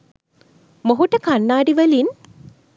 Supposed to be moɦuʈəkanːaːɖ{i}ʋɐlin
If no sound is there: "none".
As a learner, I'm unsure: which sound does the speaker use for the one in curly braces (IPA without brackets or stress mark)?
i